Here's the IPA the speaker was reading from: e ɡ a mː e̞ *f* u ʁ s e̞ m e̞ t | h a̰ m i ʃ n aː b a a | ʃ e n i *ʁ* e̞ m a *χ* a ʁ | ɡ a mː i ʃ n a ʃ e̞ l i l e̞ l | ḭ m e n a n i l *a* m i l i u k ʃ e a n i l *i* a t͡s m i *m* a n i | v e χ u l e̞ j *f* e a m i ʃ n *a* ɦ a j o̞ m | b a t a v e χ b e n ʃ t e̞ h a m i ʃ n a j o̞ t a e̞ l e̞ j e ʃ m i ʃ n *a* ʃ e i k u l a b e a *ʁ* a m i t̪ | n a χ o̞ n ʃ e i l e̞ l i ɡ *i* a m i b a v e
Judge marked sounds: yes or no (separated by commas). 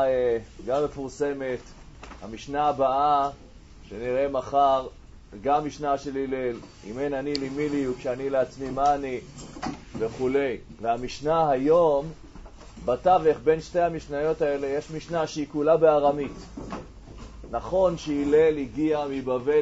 yes, yes, yes, no, no, yes, no, yes, yes, yes, yes